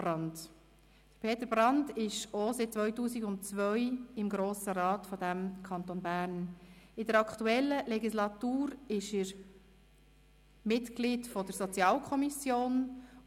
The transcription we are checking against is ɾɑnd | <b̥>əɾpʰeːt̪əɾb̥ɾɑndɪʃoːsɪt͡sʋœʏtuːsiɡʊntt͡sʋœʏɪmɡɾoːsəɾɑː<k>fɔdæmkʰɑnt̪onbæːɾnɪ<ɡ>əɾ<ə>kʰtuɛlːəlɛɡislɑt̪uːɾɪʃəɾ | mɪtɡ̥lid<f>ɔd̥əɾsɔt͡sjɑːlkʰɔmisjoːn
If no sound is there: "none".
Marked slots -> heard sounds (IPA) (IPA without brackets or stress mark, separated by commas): d̥, t, d, ɑ, f